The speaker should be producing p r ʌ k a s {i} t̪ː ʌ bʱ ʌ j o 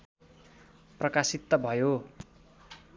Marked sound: correct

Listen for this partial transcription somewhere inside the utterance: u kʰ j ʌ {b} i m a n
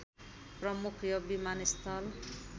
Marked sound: correct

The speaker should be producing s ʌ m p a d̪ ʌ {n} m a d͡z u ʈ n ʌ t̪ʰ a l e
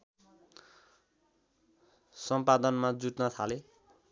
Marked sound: correct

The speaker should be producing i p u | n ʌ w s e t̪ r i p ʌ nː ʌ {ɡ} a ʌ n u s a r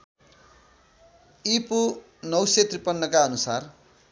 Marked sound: incorrect: k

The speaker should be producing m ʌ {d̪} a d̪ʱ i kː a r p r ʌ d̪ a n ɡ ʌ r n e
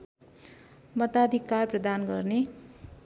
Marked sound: incorrect: t̪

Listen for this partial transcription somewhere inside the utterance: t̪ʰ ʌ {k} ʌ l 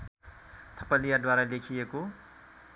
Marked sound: incorrect: p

